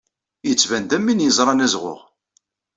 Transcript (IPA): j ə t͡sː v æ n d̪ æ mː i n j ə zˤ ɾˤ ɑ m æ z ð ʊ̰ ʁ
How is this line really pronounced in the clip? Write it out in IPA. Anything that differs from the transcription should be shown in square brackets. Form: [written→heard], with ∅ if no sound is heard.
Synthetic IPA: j ə t͡sː v æ n d̪ æ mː i n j ə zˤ ɾˤ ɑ [m→n] æ z [ð→ʁ] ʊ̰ ʁ